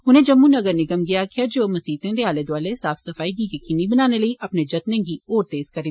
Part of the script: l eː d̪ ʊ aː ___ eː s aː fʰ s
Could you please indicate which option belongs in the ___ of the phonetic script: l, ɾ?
l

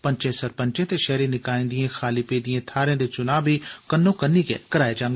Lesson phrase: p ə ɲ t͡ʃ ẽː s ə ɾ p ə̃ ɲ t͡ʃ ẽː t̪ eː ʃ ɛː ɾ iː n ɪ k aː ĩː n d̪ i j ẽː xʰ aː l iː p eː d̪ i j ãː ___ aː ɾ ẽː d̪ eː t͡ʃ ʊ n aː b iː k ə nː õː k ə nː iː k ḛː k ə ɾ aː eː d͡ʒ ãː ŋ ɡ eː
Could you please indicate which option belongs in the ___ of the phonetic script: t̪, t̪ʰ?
t̪ʰ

